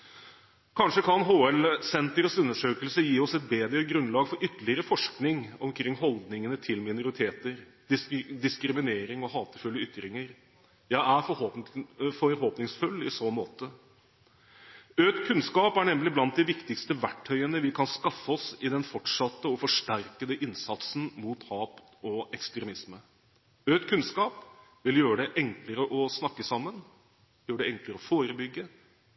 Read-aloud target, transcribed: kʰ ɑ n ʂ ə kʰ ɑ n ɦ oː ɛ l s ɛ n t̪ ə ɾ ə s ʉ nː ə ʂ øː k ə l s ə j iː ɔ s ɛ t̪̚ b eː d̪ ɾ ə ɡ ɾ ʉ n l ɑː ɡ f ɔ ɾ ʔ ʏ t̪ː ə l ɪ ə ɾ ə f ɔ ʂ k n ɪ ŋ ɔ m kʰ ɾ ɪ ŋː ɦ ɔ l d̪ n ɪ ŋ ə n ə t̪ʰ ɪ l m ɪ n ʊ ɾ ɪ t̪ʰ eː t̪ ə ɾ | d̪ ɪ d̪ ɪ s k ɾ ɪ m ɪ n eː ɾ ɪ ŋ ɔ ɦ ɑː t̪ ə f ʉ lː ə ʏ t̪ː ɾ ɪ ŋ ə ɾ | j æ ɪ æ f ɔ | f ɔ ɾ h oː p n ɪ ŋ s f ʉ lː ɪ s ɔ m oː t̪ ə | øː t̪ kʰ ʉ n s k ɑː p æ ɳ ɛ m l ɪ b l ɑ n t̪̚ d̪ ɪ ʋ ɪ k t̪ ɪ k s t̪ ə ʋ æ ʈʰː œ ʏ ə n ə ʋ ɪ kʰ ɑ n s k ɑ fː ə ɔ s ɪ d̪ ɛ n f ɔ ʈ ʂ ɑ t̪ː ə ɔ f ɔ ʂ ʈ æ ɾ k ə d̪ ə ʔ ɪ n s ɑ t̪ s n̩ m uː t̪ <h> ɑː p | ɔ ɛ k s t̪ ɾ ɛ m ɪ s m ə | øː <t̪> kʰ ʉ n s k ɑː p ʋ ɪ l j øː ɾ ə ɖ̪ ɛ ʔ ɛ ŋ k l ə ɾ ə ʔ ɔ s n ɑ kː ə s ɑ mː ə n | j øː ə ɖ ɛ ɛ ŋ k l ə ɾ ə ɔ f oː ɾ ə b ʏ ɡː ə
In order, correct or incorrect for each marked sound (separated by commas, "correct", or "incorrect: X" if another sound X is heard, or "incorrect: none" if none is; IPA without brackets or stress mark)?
correct, correct